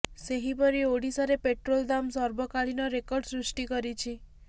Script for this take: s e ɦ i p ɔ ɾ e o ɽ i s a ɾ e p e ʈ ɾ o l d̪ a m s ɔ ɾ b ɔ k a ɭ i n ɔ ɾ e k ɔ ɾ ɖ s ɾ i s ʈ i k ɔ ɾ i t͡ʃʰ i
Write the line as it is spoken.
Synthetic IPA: s e ɦ i p ɔ ɾ i o ɽ i s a ɾ e p e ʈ ɾ o l d̪ a m s ɔ ɾ b ɔ k a ɭ i n ɔ ɾ e k ɔ ɾ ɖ s ɾ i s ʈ i k ɔ ɾ i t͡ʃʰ i